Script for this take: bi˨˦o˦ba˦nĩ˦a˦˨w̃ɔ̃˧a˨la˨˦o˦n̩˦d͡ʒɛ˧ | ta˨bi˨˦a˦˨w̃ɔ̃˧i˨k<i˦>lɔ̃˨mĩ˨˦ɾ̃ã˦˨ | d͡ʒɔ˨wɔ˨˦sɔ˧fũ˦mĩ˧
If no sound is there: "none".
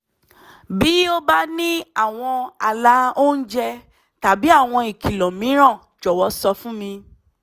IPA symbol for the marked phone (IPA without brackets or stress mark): i˨